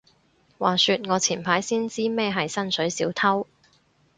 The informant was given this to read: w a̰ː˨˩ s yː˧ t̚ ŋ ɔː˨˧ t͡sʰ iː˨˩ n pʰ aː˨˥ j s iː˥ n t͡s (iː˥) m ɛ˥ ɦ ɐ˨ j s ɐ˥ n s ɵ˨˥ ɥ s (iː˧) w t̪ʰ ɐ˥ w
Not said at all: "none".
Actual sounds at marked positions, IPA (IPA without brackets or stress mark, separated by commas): iː˥, iː˨˥